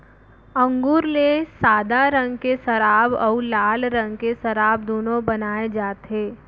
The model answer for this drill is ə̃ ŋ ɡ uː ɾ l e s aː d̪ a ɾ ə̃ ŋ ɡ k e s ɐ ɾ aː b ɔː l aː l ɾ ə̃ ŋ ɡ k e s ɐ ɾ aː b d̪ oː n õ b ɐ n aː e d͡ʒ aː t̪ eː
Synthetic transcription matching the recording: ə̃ ŋ ɡ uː ɾ l e s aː d̪ a ɾ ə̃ ŋ ɡ k e s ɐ ɾ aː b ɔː l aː l ɾ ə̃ ŋ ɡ k e s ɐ ɾ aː b d̪ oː n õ b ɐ n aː e d͡ʒ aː t̪ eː